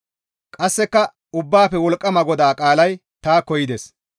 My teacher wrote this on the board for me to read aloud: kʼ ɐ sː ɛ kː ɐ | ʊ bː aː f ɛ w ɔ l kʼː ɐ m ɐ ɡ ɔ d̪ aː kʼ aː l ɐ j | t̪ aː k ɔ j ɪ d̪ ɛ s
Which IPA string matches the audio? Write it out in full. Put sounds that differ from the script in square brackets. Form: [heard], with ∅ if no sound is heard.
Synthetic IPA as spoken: kʼ ɐ sː ɛ kː ɐ | ʊ bː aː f ɛ w ɔ l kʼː ɐ m ɐ ɡ ɔ d̪ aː kʼ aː l ɐ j | t̪ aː k ɔ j ɪ d̪ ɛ s